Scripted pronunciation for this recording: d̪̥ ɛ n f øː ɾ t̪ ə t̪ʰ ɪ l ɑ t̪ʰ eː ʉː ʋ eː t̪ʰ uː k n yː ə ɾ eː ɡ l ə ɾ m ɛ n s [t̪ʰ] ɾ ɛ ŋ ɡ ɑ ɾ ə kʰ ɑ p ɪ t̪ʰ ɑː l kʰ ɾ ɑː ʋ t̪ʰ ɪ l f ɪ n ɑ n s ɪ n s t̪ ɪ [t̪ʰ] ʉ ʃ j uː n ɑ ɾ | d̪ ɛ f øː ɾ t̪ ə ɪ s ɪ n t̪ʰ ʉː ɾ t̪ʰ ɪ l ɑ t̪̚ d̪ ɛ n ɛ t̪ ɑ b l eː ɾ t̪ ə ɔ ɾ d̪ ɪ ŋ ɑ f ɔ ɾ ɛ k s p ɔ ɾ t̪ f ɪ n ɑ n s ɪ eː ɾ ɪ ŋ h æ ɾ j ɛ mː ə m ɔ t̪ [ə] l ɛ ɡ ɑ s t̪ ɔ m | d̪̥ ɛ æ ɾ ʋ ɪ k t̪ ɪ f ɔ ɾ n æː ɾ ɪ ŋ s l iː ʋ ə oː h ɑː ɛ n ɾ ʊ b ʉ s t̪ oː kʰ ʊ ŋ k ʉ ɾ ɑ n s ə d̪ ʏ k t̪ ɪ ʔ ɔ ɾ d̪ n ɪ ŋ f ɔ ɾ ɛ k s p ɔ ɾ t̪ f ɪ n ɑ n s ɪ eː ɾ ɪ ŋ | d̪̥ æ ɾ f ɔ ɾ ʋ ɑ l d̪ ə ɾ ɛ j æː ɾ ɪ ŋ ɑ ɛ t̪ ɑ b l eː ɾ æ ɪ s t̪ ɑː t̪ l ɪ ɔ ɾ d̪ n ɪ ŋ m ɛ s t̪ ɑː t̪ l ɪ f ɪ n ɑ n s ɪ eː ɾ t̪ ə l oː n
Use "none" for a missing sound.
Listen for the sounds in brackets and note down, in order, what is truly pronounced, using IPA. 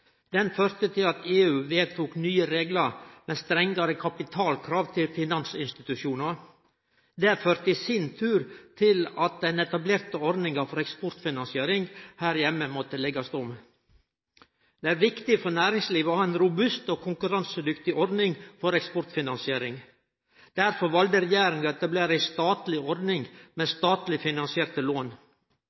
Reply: t̪, t̪, ə

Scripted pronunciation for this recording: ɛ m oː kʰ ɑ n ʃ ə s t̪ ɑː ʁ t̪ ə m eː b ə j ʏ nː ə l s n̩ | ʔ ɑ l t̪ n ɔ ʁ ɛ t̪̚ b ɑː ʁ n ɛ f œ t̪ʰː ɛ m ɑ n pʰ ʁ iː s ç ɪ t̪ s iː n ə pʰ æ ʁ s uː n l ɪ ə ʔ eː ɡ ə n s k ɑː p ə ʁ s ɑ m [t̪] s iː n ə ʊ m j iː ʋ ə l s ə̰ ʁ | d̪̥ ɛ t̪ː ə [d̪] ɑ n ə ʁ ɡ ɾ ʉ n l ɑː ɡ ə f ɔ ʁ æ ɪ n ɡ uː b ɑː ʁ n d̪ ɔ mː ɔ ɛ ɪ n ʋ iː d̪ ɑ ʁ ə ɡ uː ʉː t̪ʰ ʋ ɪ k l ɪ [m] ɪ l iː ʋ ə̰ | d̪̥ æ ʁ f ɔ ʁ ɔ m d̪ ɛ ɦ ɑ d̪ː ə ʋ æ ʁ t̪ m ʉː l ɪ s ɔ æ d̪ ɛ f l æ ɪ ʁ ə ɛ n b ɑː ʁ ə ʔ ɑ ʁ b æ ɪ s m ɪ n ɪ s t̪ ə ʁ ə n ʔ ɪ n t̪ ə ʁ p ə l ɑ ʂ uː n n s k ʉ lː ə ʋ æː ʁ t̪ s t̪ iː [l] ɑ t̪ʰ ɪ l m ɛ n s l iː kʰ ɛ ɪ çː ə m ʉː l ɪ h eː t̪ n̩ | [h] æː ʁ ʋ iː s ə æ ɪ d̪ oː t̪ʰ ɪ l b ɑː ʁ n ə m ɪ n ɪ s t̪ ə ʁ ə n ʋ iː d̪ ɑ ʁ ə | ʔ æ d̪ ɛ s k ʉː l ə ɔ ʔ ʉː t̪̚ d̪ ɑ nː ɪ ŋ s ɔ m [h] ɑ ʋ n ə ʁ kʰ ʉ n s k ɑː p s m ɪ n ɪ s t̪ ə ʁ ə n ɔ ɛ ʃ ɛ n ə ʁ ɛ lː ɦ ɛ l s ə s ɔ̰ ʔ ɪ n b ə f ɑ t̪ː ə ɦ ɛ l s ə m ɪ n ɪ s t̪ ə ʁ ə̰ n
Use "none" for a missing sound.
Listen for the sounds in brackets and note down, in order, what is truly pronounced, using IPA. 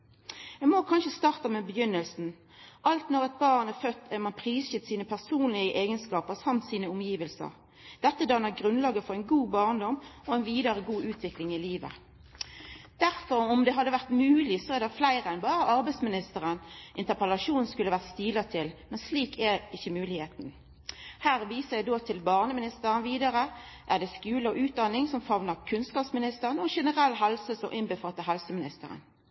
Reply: t̪, d̪, ŋ, l, h, f

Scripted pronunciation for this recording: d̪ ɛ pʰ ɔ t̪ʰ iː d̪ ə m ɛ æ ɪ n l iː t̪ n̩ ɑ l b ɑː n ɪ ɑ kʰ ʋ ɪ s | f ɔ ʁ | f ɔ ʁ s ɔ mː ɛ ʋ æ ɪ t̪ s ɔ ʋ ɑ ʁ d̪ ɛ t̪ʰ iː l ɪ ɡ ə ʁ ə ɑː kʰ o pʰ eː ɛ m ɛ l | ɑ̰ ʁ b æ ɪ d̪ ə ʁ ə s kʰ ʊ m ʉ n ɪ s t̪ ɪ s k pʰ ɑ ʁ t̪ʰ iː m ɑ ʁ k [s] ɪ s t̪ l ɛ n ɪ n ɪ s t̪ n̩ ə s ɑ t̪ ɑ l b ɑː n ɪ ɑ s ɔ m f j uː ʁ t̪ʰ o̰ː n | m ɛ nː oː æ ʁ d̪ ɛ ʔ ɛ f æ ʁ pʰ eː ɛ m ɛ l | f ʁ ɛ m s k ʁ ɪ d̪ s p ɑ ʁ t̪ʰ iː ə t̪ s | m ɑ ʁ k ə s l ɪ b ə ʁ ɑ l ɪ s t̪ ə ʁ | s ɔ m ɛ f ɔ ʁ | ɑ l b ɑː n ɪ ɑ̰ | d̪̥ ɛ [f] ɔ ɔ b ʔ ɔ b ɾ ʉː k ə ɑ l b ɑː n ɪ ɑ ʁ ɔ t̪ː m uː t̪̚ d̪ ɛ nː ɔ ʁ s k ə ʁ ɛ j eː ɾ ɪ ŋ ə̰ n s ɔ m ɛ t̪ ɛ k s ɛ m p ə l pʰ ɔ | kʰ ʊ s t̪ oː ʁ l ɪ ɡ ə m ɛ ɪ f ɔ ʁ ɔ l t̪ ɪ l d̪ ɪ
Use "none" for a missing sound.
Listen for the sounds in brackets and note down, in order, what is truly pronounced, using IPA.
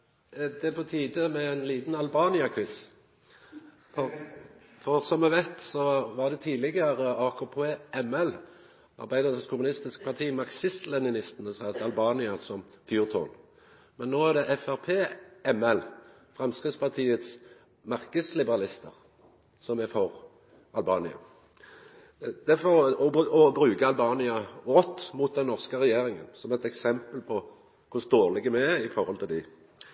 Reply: s, f

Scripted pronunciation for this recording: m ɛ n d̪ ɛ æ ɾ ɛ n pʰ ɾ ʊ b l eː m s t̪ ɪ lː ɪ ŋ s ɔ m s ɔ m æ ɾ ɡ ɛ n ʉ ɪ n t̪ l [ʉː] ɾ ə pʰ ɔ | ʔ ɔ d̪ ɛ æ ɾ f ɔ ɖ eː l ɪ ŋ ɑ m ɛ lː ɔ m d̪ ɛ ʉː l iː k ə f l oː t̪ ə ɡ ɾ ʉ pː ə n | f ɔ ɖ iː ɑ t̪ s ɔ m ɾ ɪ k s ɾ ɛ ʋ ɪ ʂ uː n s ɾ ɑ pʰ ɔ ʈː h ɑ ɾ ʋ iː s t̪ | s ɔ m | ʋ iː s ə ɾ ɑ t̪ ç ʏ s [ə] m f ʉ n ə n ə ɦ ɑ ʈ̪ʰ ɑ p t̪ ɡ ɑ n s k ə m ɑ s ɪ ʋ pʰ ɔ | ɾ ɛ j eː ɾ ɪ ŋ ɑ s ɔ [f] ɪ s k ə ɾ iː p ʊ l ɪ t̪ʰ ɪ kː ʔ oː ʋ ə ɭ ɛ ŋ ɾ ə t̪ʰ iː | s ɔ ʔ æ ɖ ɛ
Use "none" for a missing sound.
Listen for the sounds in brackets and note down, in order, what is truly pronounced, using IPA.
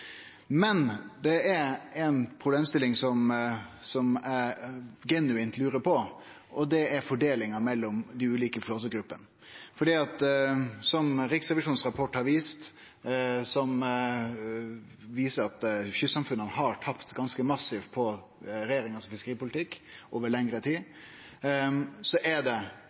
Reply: ʉː, ɑ, f

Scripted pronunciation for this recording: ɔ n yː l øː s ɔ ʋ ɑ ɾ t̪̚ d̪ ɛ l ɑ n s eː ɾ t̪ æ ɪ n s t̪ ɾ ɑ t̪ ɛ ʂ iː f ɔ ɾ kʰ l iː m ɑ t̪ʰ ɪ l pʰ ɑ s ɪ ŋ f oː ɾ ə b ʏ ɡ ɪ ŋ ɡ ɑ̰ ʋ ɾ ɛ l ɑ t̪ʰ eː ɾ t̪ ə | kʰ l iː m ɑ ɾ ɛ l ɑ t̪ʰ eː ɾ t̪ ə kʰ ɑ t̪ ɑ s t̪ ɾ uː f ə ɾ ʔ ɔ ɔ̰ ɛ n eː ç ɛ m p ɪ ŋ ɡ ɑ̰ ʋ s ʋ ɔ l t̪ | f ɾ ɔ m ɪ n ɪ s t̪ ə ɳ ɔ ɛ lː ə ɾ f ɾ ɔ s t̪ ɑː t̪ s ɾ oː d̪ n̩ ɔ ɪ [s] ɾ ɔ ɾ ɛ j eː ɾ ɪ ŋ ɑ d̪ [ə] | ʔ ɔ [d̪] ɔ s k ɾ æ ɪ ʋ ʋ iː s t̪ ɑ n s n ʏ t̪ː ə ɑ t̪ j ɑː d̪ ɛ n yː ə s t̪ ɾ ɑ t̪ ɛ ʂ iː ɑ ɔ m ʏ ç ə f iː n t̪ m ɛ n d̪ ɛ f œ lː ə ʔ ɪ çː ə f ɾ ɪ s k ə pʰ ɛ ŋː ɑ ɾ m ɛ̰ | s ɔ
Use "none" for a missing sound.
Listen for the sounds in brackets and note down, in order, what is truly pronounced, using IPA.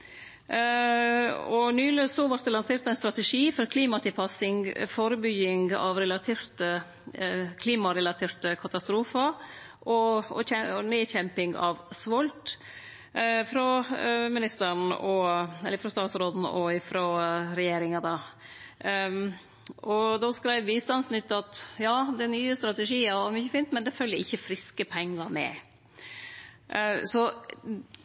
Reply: f, ɑ, d̪

